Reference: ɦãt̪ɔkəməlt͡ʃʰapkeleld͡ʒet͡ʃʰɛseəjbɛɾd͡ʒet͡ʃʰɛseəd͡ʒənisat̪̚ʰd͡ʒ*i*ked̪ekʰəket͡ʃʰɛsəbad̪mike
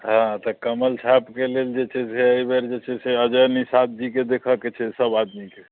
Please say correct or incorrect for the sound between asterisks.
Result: correct